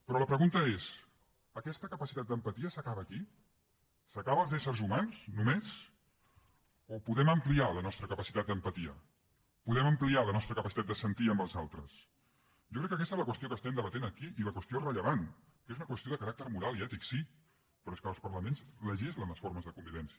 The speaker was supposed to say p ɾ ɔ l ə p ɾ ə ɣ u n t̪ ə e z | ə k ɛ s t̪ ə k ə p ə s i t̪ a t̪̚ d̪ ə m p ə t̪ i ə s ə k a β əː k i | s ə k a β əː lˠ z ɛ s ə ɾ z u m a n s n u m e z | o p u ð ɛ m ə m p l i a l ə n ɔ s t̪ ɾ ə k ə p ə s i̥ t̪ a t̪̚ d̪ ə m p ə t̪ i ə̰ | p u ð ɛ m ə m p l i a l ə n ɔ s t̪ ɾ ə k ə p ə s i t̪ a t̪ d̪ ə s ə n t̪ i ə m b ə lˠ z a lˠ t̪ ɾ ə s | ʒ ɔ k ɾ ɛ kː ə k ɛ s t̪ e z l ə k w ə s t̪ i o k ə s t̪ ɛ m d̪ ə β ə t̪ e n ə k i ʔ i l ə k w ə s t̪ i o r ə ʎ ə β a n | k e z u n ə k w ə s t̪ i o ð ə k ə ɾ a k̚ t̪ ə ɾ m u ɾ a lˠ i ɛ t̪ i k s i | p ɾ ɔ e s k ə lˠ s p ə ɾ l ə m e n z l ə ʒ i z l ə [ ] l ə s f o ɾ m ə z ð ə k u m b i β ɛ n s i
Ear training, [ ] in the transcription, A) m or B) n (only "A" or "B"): B